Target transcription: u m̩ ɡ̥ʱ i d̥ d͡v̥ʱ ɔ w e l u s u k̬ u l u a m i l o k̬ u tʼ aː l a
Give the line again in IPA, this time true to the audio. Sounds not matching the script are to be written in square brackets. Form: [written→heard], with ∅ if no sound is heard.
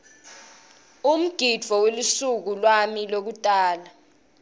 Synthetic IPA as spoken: u m̩ ɡ̥ʱ i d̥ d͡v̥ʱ ɔ w e l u s u k̬ u l [u→w] a m i l o k̬ u tʼ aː l a